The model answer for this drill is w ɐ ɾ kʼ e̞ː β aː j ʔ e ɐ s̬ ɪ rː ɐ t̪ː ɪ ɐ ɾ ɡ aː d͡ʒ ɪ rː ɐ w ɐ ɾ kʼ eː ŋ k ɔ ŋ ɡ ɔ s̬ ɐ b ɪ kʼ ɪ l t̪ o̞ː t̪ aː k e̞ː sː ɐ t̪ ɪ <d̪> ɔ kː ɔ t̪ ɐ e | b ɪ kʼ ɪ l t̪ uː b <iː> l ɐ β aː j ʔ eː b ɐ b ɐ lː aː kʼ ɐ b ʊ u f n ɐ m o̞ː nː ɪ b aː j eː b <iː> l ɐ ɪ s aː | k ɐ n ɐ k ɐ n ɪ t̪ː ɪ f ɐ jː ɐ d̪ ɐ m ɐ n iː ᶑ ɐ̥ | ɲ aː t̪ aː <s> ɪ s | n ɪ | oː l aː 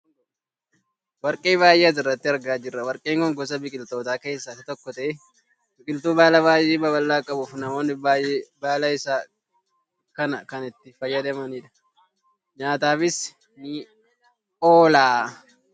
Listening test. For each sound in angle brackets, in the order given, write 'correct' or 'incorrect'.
incorrect: t̪, incorrect: aː, incorrect: aː, incorrect: f

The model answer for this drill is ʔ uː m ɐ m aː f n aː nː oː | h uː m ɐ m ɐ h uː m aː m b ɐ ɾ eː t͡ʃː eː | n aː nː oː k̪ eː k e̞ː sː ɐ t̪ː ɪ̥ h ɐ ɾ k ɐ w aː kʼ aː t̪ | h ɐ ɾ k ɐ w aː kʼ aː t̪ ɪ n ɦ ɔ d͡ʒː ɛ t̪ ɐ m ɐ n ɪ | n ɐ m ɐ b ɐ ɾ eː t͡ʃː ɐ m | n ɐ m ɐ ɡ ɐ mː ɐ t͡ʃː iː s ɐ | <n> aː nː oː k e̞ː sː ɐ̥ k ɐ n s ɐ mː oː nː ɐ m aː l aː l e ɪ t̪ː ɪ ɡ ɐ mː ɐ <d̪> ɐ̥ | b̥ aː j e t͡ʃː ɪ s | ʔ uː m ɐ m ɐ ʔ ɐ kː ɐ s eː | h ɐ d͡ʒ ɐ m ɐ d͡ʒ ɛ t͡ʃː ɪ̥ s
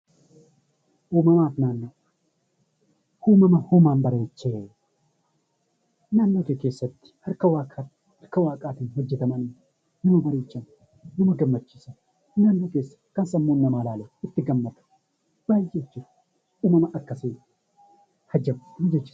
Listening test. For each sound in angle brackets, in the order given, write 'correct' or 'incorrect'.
correct, incorrect: t̪

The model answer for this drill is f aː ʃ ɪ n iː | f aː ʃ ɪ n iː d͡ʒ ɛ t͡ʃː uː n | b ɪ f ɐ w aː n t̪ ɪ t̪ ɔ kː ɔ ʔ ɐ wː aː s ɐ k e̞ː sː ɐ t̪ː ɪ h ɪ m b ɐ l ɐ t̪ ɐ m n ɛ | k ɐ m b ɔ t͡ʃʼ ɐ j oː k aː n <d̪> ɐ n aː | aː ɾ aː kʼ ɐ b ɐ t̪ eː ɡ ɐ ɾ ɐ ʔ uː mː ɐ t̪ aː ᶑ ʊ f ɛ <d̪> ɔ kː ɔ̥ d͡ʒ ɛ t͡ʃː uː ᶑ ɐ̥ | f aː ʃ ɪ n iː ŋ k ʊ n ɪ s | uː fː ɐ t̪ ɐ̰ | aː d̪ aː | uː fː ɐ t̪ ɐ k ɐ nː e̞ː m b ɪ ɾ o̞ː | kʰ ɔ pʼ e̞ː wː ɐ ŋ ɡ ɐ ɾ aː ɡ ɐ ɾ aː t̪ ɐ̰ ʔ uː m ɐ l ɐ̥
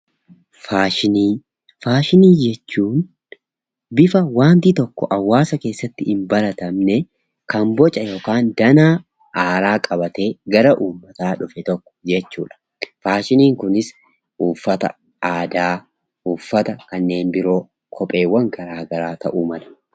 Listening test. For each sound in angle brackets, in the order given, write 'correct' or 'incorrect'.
correct, incorrect: t̪

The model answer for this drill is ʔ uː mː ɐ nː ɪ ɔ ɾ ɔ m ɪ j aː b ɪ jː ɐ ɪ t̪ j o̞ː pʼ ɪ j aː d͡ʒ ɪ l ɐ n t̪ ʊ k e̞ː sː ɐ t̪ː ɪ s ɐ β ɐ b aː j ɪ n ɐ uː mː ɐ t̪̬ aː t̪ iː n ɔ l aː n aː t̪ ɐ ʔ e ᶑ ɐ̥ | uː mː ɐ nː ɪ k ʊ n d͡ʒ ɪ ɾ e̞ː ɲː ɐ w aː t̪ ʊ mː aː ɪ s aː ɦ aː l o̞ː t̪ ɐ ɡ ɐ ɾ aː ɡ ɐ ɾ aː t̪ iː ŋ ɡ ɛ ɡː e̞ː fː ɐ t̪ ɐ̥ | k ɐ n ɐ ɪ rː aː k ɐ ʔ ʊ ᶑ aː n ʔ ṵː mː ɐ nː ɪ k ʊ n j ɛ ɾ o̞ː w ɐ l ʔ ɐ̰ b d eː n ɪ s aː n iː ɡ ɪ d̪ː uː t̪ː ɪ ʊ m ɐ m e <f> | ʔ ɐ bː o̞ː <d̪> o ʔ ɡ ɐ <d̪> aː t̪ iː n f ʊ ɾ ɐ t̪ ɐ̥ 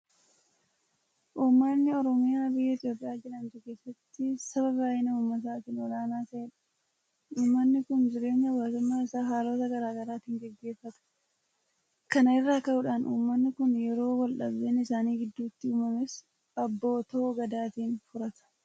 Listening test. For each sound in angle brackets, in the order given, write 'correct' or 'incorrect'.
incorrect: s, incorrect: t̪, correct

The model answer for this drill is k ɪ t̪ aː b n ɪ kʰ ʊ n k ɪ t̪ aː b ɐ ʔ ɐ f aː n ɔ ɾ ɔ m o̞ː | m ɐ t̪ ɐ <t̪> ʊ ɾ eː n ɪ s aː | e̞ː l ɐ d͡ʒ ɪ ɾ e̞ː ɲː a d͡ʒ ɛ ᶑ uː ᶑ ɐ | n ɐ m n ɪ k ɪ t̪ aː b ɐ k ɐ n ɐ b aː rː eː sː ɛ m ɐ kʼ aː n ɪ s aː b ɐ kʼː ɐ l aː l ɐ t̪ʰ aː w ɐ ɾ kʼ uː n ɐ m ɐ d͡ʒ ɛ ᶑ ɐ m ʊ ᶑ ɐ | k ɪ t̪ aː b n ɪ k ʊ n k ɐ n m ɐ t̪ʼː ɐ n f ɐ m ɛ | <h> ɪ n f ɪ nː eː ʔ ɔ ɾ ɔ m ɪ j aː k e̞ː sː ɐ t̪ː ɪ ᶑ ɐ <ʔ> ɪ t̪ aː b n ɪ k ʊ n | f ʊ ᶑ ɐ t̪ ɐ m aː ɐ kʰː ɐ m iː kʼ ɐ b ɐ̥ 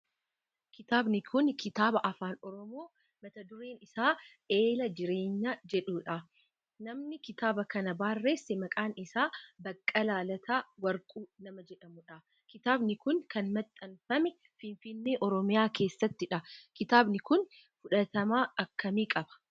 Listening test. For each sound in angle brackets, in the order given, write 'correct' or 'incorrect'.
incorrect: d̪, incorrect: f, incorrect: k

